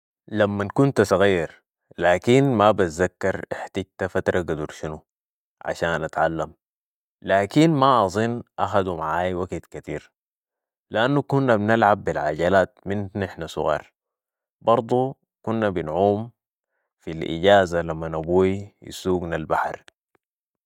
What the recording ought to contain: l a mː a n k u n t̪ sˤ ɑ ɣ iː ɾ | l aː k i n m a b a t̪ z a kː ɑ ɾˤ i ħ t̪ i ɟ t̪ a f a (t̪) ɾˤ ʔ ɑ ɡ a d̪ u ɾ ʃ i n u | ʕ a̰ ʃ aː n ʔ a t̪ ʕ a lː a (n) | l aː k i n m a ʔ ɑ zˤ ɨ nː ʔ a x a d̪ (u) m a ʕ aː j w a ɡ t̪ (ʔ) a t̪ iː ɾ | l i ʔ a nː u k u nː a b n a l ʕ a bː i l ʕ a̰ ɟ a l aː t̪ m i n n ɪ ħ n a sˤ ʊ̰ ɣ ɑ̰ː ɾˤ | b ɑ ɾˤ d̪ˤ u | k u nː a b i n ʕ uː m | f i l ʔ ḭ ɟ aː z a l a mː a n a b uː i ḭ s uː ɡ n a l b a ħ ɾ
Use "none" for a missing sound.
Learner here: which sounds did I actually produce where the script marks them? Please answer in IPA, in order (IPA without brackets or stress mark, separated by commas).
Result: t̪, m, u, k